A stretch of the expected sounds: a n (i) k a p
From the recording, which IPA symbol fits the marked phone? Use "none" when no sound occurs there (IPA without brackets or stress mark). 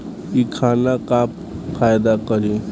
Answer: a